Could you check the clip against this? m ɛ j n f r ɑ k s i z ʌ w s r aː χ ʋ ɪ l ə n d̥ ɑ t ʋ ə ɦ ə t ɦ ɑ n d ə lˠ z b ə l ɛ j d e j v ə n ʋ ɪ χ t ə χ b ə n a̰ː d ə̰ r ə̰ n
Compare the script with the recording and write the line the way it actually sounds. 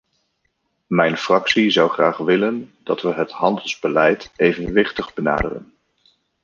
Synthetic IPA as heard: m ɛ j n f r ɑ k s i z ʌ w χ r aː χ ʋ ɪ l ə n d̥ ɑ t ʋ ə ɦ ə t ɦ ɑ n d ə lˠ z b ə l ɛ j t e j v ə n ʋ ɪ χ t ə χ b ə n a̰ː d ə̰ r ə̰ n